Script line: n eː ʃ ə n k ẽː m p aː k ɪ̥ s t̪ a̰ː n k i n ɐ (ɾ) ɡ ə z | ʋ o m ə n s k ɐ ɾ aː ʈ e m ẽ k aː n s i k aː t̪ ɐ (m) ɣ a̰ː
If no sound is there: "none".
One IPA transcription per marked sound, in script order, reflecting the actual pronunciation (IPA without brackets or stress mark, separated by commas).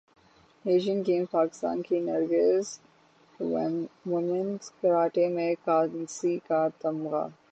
ɾ, m